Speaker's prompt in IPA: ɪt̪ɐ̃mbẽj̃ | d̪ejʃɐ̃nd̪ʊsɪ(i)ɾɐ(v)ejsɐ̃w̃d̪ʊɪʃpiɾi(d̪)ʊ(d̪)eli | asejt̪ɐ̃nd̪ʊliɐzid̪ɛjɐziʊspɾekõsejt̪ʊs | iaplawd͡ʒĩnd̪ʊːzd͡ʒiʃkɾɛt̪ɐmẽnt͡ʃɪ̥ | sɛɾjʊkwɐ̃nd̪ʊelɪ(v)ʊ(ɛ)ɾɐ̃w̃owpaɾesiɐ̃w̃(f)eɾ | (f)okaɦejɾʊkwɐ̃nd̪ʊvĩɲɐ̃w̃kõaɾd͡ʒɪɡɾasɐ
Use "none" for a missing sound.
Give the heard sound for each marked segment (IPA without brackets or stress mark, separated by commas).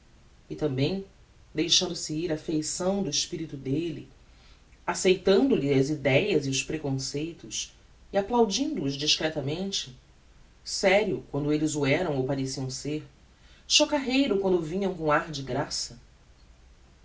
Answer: i, f, t̪, d̪, z, ɛ, s, ʃ